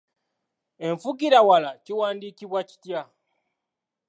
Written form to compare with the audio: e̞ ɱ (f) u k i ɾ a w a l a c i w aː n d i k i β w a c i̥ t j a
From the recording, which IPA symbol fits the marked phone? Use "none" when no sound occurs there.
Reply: f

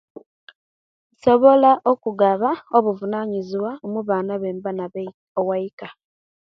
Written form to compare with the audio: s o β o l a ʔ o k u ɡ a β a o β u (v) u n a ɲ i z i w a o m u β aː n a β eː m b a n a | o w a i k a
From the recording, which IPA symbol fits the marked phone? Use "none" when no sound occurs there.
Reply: v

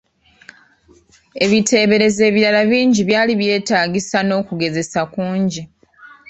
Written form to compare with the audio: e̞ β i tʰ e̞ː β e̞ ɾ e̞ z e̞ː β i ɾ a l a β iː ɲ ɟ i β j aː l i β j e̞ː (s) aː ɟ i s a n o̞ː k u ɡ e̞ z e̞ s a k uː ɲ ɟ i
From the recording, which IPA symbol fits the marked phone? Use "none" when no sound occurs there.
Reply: t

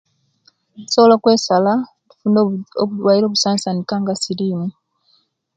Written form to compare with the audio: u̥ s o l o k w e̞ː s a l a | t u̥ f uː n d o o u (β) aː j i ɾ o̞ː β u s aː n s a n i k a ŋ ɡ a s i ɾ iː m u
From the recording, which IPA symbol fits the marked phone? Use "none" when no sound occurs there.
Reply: w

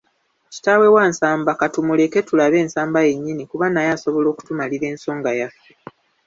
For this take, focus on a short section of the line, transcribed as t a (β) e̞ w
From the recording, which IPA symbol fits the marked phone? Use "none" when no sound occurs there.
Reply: w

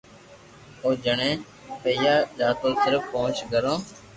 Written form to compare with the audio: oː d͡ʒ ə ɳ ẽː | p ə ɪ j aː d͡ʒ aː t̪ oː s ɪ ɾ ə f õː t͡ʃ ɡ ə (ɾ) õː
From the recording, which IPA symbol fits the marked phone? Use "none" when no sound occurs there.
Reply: ɾ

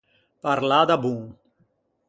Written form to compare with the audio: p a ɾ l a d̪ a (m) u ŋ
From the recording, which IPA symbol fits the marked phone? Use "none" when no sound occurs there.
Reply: b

